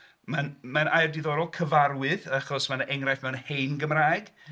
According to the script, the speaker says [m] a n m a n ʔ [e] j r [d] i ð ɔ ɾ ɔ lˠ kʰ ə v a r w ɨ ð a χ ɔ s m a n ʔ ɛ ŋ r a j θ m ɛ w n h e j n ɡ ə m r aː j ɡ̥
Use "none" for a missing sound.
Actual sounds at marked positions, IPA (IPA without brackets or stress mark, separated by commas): m, a, d